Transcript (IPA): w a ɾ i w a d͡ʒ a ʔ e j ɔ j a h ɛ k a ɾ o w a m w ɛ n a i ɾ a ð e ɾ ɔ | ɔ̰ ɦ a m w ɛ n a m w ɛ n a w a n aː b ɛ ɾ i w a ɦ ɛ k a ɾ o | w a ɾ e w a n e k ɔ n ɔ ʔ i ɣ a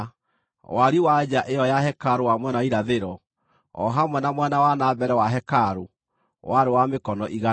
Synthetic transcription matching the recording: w a ɾ i w a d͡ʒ a ʔ e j ɔ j a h ɛ k a ɾ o w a m w ɛ n a i ɾ a ð e ɾ ɔ | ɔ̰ ɦ a m w ɛ n a m w ɛ n a w a n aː b ɛ ɾ ɛ w a ɦ ɛ k a ɾ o | w a ɾ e w a m e k ɔ n ɔ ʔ i ɣ a